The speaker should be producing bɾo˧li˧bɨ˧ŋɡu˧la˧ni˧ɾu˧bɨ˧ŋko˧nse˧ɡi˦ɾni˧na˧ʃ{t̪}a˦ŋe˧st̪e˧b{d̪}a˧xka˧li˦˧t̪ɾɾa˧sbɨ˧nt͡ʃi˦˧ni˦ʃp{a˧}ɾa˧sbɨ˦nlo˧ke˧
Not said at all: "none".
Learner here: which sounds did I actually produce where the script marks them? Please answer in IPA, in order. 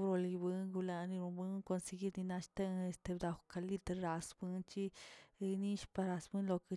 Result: t̪, d̪, a˧

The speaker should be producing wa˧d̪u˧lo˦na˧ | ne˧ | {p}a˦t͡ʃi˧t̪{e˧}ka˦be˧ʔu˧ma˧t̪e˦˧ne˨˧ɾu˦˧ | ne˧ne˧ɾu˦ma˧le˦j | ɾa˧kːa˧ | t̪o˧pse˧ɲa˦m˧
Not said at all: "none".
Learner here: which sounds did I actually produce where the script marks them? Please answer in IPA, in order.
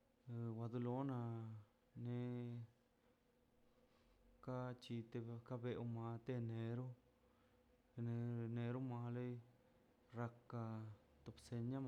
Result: k, e˧

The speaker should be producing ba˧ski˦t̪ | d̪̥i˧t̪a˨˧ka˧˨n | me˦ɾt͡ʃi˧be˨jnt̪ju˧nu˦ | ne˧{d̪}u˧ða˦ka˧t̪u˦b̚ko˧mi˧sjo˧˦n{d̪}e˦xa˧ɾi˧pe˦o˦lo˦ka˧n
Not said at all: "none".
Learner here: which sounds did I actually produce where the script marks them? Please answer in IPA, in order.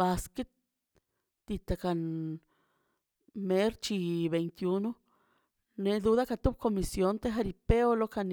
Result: d̪, t̪

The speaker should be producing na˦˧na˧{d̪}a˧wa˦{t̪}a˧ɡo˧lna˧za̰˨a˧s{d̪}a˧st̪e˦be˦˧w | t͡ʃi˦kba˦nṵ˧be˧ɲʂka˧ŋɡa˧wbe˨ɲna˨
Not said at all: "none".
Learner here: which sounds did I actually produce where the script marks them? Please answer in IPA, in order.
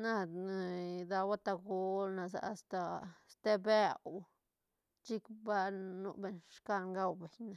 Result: d̪, t̪, t̪

